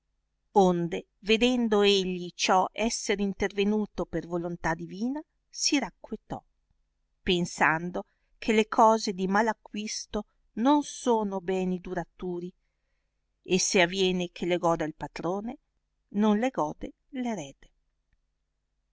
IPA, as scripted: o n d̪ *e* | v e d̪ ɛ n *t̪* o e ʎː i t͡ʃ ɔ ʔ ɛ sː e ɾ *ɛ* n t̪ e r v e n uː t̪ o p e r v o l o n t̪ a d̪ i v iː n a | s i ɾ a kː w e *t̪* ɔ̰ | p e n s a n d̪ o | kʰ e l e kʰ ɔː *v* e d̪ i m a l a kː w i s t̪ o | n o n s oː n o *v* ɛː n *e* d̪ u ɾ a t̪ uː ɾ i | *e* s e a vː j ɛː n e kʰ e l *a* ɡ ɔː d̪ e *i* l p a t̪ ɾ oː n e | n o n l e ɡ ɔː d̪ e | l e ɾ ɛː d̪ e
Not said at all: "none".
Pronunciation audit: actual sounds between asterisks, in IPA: e, d̪, i, t̪, z, b, i, e, e, a

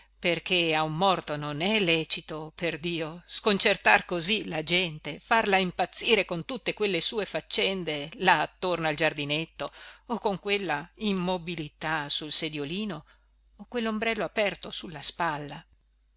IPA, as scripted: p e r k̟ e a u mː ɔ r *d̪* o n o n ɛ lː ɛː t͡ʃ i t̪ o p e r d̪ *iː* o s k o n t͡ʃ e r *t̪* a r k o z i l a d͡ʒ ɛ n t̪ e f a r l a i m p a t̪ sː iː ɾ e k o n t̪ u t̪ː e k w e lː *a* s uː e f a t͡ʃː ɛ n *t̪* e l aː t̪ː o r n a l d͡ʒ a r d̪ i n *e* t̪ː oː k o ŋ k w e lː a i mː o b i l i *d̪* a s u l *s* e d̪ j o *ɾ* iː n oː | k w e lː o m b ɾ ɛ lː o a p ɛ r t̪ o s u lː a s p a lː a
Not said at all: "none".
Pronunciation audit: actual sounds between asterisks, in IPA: t̪, iː, t̪, e, d̪, e, t̪, s, l

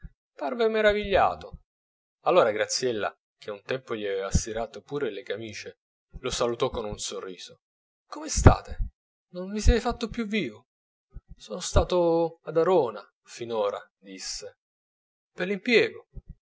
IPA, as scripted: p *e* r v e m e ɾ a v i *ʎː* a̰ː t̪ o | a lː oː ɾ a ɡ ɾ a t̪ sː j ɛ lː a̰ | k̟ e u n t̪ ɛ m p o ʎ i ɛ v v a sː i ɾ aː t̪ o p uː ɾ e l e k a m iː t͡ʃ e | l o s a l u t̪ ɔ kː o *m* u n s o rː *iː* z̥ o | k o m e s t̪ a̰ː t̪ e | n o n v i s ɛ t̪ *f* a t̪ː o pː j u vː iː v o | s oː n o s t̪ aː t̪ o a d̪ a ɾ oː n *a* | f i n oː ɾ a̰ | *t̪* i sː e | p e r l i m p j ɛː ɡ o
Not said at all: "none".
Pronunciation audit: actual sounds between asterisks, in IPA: a, ʎː, n, iː, f, a, d̪

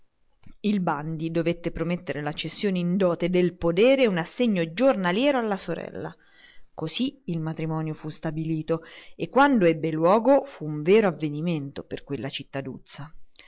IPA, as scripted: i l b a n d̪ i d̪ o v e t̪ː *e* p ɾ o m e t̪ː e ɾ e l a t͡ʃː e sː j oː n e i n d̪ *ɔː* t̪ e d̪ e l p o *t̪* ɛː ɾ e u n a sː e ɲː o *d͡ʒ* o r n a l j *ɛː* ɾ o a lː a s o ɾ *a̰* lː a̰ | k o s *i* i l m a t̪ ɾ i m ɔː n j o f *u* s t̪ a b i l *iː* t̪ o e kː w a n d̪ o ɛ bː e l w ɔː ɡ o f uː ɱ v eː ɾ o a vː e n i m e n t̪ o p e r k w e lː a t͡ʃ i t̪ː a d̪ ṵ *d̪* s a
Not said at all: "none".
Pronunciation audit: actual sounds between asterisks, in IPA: e, ɔː, d̪, d͡ʒ, ɛː, ɛ̰, i, u, iː, t̪

